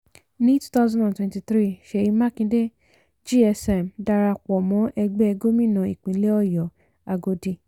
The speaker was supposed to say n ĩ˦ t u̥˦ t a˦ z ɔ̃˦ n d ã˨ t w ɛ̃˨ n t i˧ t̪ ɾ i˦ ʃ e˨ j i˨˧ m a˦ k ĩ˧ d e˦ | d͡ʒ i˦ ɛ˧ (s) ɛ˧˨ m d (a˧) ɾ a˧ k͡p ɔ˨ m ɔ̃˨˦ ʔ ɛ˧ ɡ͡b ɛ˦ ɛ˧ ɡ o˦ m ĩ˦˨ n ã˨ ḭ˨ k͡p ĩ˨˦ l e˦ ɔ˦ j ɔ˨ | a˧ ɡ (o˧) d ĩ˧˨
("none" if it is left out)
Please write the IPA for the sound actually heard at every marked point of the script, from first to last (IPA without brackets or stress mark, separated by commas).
s, a˧, o˧